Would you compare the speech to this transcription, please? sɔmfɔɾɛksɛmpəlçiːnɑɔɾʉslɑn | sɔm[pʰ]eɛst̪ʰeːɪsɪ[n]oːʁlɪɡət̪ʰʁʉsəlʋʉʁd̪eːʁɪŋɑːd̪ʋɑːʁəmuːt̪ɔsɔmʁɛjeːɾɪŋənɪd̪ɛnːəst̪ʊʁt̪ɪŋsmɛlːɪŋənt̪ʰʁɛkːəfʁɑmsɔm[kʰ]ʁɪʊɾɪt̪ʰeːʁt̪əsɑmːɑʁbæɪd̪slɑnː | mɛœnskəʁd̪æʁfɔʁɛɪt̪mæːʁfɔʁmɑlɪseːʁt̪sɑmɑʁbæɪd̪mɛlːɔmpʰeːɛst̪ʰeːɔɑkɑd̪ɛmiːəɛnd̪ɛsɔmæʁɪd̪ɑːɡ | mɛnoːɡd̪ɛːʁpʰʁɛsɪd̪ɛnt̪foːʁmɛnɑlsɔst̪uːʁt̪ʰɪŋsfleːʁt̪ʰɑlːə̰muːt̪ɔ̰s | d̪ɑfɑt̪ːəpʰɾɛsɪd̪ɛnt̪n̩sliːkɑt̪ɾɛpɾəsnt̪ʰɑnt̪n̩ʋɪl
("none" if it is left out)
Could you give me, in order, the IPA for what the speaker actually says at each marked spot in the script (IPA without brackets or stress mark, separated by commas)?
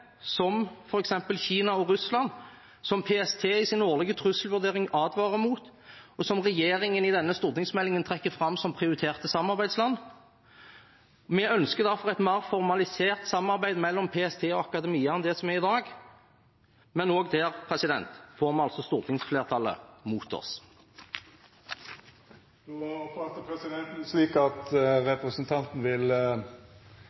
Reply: pʰ, n, pʰ